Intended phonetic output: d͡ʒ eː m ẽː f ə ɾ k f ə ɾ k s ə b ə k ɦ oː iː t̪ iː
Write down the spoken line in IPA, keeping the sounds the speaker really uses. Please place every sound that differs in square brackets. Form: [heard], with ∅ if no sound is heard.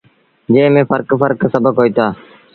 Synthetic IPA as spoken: d͡ʒ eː m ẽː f ə ɾ k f ə ɾ k s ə b ə k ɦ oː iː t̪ [aː]